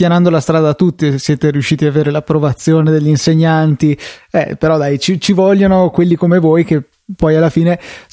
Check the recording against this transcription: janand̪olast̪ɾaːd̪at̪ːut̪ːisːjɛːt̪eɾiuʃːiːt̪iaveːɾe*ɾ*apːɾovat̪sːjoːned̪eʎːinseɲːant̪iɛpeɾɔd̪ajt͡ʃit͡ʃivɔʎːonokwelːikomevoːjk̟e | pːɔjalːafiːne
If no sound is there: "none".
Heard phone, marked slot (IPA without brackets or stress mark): l